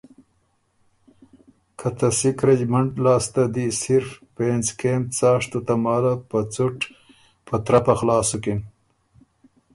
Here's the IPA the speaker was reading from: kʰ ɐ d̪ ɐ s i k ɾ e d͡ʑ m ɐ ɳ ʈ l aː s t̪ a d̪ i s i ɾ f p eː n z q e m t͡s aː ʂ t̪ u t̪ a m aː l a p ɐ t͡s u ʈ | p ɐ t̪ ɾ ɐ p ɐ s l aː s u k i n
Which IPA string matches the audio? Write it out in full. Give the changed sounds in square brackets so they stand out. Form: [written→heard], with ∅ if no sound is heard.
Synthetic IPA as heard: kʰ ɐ [d̪→t̪] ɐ s i k ɾ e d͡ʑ m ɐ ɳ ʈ l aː s t̪ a d̪ i s i ɾ f p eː n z [q→k] e m t͡s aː ʂ t̪ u t̪ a m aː l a p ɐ t͡s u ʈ | p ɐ t̪ ɾ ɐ p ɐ [s→x] l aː s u k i n